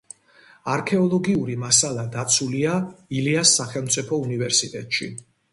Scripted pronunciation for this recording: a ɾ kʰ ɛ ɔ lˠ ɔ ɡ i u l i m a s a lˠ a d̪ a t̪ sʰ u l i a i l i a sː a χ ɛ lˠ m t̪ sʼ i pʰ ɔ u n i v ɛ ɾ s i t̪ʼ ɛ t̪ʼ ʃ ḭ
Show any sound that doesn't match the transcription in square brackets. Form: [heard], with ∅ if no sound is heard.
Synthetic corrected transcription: a ɾ kʰ ɛ ɔ lˠ ɔ ɡ i u [ɾ] i m a s a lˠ a d̪ a t̪ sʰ u l i a i l i a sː a χ ɛ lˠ m t̪ sʼ i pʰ ɔ u n i v ɛ ɾ s i t̪ʼ ɛ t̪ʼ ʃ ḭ